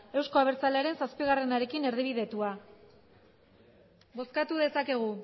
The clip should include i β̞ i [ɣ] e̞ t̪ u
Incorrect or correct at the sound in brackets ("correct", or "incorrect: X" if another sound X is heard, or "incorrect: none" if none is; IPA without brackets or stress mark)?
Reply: incorrect: ð